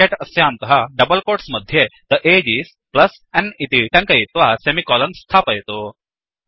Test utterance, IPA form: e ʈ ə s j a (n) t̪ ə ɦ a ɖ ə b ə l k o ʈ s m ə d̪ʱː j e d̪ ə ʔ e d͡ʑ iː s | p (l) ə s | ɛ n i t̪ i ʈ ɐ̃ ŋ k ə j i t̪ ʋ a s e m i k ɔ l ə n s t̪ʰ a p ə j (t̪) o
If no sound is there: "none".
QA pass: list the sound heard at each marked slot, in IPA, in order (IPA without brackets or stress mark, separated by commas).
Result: n, l, t̪